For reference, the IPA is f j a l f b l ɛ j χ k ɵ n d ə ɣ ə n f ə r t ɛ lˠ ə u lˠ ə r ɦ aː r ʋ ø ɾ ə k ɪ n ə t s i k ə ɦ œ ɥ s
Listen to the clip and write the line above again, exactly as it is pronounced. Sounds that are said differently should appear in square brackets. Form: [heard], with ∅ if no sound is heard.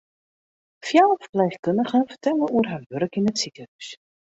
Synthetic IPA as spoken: f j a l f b l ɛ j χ k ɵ n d ə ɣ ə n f ə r t ɛ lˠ ə u [∅] ə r ɦ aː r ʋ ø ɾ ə k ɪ n ə t s i k ə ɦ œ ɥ s

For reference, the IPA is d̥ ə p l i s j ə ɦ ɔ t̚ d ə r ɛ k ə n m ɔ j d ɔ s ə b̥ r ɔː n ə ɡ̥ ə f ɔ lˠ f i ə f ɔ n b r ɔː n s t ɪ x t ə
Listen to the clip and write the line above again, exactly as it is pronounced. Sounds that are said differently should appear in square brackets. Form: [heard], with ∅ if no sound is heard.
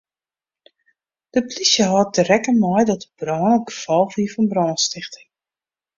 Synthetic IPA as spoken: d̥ ə p l i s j ə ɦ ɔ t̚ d ə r ɛ k ə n m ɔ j d ɔ [t] ə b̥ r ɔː n ə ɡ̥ ə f ɔ lˠ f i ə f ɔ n b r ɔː n s t ɪ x t ə

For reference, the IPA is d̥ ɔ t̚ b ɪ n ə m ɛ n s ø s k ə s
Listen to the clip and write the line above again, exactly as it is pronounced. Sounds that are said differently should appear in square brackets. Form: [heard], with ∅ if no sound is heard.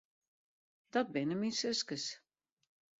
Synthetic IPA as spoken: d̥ ɔ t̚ b ɪ n ə m [i] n s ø s k ə s

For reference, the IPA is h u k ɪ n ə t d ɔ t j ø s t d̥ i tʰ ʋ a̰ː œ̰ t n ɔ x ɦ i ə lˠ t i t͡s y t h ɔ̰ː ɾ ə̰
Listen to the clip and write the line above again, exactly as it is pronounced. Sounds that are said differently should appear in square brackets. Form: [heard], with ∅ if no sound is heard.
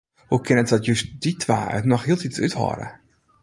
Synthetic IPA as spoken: h u k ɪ n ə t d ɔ t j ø s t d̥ i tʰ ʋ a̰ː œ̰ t n ɔ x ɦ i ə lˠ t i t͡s y t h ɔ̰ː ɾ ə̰

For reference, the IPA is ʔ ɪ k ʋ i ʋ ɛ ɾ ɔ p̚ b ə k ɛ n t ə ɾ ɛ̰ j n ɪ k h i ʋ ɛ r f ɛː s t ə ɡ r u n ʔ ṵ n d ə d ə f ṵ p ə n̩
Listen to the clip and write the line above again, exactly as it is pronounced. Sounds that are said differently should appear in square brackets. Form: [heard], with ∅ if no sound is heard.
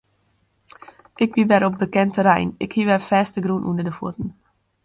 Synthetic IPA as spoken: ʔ ɪ k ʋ i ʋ ɛ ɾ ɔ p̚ b ə k ɛ n t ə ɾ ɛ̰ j n ɪ k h i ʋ ɛ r f ɛː s t ə ɡ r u n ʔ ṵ n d ə d ə f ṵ [t] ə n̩

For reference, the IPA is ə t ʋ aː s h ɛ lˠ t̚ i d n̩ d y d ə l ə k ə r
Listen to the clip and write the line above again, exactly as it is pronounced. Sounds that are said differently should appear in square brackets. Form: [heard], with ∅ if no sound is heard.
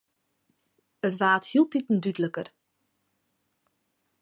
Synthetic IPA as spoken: ə t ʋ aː [t] h [i] lˠ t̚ i [t] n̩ d y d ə l ə k ə r

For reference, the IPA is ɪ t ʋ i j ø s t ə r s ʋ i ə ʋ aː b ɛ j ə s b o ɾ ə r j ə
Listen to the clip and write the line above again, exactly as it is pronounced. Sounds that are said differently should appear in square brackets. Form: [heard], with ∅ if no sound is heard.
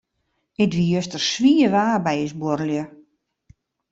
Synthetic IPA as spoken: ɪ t ʋ i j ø s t ə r s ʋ i ə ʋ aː b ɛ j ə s b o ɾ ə [l] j ə

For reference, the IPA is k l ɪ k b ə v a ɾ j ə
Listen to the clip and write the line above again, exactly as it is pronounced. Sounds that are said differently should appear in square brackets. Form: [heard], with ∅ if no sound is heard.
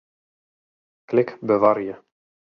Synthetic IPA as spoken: k l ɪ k b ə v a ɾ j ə

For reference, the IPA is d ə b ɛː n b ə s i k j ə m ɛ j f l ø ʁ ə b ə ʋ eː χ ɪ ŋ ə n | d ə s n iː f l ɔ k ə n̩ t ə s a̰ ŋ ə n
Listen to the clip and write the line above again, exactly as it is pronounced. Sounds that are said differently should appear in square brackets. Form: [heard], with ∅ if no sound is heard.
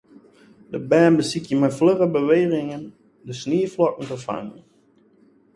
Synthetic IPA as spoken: d ə b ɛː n b ə s i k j ə m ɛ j f l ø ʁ ə b ə ʋ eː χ ɪ ŋ ə n | d ə s n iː f l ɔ k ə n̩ t ə [f] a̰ ŋ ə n

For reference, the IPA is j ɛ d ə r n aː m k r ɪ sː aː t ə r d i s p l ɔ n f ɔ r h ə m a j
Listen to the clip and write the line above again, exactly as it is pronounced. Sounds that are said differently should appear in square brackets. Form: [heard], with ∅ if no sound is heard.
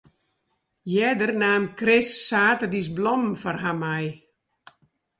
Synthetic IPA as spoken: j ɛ d ə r n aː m k r ɪ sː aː t ə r d i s [b] l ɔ [m] f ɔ r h [a] m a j

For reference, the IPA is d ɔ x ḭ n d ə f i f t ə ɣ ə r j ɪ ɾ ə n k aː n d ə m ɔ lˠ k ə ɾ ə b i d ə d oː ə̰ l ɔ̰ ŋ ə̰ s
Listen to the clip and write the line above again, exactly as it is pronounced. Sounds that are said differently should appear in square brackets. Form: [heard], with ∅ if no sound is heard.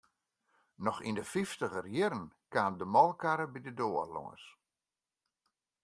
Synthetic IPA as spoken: [n] ɔ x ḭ n d ə f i f t ə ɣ ə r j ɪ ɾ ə n k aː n d ə m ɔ lˠ k [a] ɾ ə b i d ə d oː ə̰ l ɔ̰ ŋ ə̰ s

